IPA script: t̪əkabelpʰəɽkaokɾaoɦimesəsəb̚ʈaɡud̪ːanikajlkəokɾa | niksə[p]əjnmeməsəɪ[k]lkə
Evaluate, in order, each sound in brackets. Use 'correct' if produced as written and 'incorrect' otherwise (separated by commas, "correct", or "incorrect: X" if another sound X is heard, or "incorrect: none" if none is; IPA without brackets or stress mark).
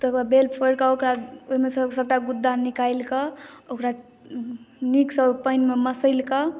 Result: correct, incorrect: none